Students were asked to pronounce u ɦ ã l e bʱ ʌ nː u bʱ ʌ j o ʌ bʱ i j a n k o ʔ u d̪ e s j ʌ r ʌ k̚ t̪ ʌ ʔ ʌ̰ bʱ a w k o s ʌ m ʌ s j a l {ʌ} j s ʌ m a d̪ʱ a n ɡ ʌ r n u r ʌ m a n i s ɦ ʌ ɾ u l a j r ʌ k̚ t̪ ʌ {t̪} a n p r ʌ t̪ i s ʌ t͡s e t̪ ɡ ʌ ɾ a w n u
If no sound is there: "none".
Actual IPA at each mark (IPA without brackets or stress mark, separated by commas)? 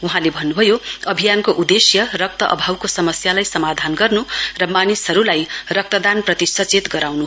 a, d̪